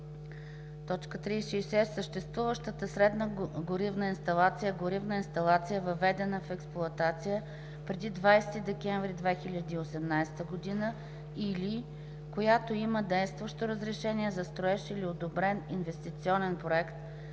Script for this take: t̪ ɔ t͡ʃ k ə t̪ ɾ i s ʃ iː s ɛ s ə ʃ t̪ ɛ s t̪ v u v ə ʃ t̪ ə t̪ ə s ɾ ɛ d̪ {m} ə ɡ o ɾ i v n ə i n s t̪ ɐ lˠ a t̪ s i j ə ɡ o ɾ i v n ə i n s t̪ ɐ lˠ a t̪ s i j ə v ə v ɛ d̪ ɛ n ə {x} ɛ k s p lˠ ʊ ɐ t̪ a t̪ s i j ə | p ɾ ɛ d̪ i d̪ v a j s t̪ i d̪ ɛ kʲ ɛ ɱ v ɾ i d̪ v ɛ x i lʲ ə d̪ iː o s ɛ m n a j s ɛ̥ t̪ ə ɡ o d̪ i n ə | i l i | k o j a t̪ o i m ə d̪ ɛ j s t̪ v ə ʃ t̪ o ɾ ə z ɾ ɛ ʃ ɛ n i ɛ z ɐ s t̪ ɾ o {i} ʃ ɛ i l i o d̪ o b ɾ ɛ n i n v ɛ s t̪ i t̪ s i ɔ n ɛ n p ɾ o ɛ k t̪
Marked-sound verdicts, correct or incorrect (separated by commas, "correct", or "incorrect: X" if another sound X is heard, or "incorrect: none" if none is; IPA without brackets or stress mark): incorrect: n, incorrect: f, incorrect: ɛ